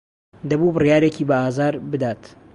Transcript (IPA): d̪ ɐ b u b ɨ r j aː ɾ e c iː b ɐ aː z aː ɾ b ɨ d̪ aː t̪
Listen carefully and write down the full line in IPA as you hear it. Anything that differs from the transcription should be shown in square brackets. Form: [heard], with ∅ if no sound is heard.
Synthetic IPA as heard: d̪ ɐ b u b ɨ r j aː ɾ e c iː b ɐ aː z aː ɾ b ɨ d̪ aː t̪